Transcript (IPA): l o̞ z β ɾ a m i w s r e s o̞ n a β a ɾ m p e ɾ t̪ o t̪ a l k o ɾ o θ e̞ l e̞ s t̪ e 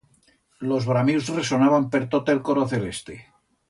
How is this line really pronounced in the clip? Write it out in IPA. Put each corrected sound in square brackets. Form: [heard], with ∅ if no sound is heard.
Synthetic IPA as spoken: l o̞ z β ɾ a m i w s r e s o̞ n a β a [∅] m p e ɾ t̪ o t̪ [e] l k o ɾ o θ e̞ l e̞ s t̪ e